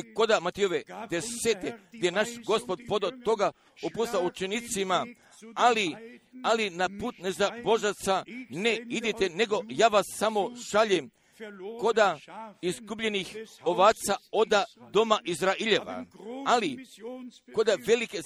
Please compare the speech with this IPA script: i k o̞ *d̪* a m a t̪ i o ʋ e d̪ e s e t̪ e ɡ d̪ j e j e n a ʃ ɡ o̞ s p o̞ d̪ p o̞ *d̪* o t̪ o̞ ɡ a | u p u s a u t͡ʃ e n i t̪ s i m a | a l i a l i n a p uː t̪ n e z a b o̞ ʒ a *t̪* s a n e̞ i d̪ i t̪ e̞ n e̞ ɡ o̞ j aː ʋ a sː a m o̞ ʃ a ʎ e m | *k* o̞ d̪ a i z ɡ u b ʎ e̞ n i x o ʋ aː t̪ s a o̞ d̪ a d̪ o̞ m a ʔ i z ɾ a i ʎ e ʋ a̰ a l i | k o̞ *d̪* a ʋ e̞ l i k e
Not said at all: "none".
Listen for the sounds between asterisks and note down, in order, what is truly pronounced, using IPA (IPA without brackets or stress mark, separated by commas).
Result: d̪, d̪, t̪, k, d̪